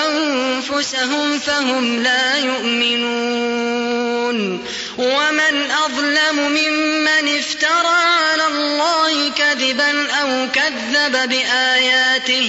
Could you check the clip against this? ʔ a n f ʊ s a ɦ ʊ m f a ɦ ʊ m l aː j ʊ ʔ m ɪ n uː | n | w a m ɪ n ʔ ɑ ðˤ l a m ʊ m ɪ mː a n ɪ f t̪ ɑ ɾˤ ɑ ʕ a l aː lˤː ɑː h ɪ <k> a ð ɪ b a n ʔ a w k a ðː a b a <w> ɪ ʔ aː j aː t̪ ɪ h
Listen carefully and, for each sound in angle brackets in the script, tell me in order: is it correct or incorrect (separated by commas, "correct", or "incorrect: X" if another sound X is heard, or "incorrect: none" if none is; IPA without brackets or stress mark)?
correct, incorrect: b